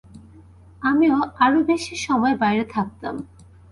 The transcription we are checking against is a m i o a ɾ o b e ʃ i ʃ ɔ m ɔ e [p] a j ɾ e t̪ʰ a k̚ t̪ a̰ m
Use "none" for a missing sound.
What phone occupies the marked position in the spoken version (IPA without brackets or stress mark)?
b